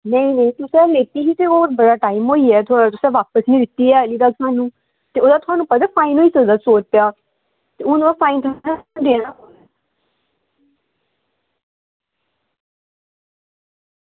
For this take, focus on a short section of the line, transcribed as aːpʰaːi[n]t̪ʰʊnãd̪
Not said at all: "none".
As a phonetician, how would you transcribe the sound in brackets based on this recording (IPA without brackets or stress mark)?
n